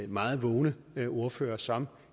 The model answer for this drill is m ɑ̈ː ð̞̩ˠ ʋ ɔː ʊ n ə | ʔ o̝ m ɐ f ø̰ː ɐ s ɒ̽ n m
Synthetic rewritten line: m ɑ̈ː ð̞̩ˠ ʋ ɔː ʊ n ə | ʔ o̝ ɐ f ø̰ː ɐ s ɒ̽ m